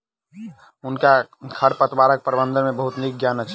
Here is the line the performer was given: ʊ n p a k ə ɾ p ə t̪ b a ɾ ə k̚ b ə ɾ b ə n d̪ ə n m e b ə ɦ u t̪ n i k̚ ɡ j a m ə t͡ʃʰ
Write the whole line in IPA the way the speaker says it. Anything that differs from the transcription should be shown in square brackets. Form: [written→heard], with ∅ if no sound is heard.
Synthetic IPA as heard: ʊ n [p→k] a [k→kʰ] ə ɾ p ə t̪ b a ɾ ə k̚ [b→p] ə ɾ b ə n d̪ ə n m e b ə ɦ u t̪ n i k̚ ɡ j a [m→n] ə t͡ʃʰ